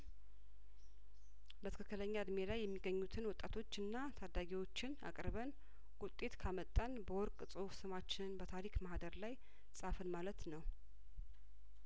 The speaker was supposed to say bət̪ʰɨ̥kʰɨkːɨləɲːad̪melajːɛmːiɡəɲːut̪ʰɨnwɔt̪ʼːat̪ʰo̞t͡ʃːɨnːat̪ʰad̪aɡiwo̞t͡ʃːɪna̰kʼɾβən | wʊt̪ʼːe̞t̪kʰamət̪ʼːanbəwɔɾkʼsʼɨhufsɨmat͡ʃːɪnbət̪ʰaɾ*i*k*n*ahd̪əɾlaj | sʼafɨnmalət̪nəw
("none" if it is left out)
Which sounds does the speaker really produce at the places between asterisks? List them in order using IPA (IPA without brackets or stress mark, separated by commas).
i, m